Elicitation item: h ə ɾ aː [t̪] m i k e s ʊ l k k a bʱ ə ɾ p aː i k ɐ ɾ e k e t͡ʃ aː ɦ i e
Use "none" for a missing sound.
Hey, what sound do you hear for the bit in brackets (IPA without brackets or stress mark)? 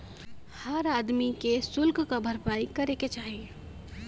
d̪